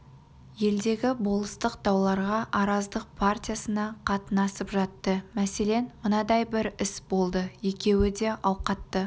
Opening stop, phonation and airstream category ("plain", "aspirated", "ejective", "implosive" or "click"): plain